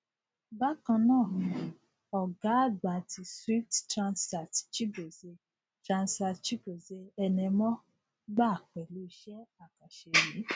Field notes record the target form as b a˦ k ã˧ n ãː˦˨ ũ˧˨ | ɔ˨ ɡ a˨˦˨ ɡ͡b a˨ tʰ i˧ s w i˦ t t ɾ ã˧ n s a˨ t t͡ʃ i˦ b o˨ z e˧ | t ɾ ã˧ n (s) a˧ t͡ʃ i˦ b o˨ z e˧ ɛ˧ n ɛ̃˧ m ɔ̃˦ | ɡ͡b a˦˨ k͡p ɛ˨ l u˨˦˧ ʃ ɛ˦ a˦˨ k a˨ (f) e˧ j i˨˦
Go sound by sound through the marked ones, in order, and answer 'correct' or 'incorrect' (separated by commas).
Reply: correct, incorrect